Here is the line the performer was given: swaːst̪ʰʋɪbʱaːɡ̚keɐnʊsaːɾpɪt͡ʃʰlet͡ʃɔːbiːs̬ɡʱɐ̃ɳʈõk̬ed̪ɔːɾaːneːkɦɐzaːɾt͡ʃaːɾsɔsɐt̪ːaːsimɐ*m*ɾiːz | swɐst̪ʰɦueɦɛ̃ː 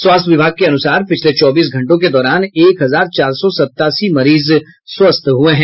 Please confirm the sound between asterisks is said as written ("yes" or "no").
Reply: no